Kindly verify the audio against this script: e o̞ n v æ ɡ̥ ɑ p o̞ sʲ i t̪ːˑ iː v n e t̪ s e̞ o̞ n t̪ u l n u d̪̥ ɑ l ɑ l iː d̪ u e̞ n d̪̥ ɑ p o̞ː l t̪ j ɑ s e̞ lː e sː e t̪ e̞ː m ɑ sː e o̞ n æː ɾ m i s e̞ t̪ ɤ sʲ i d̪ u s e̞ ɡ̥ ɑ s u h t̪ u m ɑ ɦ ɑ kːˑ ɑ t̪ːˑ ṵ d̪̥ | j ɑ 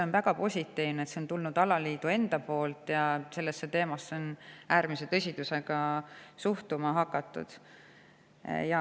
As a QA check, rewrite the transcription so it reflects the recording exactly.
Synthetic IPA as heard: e o̞ n v æ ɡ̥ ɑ p o̞ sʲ i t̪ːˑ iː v n e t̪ s e̞ o̞ n t̪ u l n u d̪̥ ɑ l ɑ l iː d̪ u e̞ n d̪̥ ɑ p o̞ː l t̪ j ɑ s e̞ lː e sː e t̪ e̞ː m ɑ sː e o̞ n æː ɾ m i s e̞ t̪ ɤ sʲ i d̪ u s e̞ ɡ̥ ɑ s u h t̪ u m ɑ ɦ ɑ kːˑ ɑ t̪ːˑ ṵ d̪̥ | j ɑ